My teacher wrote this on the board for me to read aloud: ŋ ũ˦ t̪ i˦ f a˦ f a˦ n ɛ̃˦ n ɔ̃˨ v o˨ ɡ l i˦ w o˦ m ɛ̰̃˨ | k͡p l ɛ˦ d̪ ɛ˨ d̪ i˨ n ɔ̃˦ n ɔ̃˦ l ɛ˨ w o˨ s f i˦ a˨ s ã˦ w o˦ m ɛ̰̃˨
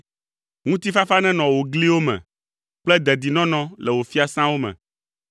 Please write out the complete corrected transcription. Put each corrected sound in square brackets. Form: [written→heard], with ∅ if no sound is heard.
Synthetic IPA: ŋ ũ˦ t̪ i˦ f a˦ f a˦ n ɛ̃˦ n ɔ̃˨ [v→w] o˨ ɡ l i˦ w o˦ m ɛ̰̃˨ | k͡p l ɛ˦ d̪ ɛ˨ d̪ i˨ n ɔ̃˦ n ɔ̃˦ l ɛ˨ w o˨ [s→∅] f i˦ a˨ s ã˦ w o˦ m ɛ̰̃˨